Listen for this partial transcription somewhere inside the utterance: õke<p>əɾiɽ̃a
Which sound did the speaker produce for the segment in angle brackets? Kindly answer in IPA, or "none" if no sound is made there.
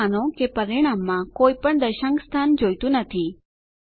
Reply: p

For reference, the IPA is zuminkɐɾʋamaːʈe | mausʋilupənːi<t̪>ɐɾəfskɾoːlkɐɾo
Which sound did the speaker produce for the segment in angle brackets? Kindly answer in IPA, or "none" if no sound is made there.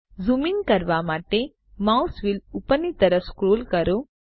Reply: t̪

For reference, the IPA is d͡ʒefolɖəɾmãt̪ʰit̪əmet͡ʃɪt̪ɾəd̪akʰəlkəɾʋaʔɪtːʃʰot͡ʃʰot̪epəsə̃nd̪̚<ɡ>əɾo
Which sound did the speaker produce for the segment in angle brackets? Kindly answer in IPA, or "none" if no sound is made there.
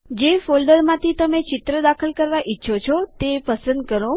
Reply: k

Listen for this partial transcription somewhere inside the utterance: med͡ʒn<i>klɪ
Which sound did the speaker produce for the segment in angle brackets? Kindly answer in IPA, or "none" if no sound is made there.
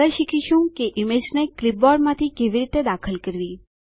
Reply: e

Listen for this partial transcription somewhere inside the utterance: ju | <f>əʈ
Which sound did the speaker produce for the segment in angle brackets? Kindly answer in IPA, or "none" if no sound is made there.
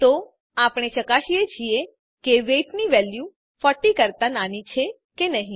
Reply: f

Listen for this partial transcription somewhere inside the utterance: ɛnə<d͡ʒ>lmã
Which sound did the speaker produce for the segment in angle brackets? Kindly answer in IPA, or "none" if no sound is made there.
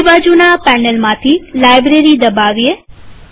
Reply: none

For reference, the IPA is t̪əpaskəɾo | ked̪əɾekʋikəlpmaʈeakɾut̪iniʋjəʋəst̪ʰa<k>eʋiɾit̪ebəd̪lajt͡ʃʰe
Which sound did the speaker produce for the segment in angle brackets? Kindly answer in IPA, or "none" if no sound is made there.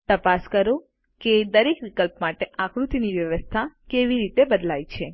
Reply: k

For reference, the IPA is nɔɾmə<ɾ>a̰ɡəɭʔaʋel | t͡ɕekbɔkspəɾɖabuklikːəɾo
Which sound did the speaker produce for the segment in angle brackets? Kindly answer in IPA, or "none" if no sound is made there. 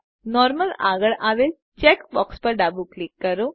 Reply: l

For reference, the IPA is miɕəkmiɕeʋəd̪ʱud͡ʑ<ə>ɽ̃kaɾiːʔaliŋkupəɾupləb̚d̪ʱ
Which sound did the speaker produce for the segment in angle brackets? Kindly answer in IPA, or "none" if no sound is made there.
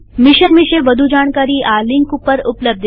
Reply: a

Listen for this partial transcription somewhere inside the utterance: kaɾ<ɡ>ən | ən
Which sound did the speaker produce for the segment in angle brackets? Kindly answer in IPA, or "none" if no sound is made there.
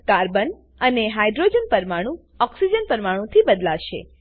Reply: b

